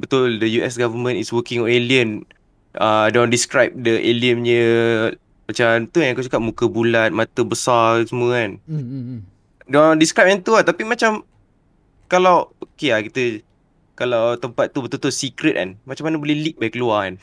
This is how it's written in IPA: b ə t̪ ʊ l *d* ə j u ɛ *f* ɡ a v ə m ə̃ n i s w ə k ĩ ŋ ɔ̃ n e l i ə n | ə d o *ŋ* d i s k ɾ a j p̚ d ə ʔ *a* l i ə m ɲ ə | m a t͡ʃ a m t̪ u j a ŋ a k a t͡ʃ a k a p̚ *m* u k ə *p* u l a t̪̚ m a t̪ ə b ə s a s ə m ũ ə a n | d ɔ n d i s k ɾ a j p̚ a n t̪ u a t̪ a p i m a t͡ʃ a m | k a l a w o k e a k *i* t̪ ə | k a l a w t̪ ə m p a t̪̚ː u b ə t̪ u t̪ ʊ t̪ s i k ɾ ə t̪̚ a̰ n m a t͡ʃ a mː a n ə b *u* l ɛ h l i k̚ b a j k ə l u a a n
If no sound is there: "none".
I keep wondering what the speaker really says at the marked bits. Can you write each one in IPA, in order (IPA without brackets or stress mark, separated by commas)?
d, s, n, e, m, b, i, o